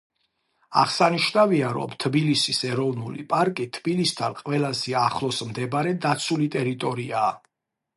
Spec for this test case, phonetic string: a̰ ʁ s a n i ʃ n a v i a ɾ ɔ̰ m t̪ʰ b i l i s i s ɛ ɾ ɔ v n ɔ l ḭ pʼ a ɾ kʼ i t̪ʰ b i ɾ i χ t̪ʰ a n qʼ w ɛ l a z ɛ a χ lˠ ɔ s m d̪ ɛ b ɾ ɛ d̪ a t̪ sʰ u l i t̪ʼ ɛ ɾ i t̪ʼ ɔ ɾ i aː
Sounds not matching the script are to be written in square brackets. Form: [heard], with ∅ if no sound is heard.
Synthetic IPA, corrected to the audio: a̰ ʁ s a n i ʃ n a v i a ɾ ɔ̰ m t̪ʰ b i l i s i s ɛ ɾ ɔ v n [u] l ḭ pʼ a ɾ kʼ i t̪ʰ b i [l] i [s] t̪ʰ a n qʼ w ɛ l a z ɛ a χ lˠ ɔ s m d̪ ɛ b ɾ ɛ d̪ a t̪ sʰ u l i t̪ʼ ɛ ɾ i t̪ʼ ɔ ɾ i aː